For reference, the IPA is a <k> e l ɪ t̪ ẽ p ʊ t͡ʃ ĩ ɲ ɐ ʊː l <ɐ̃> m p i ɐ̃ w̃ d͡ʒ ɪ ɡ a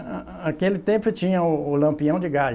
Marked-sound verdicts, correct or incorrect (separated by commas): correct, correct